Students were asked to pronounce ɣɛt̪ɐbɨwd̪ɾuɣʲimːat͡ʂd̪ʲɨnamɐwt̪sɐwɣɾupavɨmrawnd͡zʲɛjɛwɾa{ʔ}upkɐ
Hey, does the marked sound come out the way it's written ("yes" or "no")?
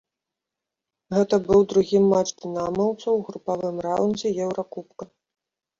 no